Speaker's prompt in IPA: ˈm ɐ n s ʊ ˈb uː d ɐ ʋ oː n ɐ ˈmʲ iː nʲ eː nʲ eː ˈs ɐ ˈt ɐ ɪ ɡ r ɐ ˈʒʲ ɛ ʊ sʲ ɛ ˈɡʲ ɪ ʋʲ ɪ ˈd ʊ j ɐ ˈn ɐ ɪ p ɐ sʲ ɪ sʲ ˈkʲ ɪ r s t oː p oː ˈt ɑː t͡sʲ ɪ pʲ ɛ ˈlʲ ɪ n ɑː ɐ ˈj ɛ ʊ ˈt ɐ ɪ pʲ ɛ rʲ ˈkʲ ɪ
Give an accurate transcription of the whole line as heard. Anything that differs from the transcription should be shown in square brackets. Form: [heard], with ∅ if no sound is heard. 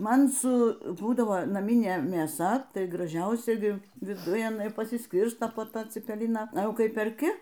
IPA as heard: ˈm ɐ n s ʊ ˈb uː d ɐ ʋ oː n ɐ ˈmʲ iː nʲ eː [mʲ] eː ˈs ɐ ˈt ɐ ɪ ɡ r ɐ ˈʒʲ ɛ ʊ sʲ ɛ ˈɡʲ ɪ ʋʲ ɪ ˈd ʊ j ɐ ˈn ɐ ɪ p ɐ sʲ ɪ sʲ ˈkʲ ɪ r s t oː p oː ˈt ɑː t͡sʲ ɪ pʲ ɛ ˈlʲ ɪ n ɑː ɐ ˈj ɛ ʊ [ˈk] ɐ ɪ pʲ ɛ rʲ ˈkʲ ɪ